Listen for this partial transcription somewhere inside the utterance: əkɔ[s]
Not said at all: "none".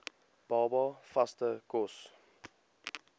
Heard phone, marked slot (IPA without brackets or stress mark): s